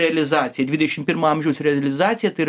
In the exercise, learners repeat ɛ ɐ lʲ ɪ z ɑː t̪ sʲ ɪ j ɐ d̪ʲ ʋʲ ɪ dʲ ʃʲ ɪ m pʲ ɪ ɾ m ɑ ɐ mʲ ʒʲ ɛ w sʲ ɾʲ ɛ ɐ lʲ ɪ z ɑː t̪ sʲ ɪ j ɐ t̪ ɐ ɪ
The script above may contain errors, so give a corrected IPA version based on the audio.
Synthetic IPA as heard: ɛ ɐ lʲ ɪ z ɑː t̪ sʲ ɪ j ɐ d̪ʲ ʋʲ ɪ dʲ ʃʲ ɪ m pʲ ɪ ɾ m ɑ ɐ mʲ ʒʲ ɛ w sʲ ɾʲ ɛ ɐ lʲ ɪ z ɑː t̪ sʲ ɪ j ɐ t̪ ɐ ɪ